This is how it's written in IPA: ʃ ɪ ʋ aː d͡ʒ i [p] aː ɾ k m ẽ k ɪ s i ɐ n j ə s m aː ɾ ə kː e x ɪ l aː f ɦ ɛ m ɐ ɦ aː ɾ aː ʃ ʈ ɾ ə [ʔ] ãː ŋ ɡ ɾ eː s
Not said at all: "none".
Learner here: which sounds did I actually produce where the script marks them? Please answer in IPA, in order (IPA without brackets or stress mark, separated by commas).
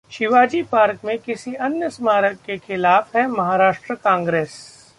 p, k